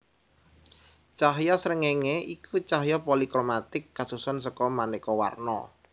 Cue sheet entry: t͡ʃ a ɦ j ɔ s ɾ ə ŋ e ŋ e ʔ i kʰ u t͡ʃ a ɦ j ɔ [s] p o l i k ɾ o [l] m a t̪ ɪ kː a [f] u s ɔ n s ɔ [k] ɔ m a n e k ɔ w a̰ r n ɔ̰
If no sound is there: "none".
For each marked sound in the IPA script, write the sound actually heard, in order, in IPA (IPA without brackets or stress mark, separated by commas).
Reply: none, none, s, k